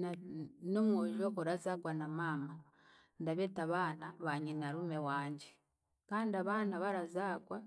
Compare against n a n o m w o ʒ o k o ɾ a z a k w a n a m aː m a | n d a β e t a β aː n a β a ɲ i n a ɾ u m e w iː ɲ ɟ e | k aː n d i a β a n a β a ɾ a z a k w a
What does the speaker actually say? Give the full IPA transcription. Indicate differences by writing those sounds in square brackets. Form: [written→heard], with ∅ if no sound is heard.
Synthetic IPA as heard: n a n o m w o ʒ o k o ɾ a z a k w a n a m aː m a | n d a β e t a β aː n a β a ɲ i n a ɾ u m e w [iː→aː] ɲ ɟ e | k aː n d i a β a n a β a ɾ a z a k w a